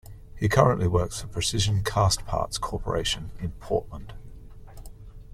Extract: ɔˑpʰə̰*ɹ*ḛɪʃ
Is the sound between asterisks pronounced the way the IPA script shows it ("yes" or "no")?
yes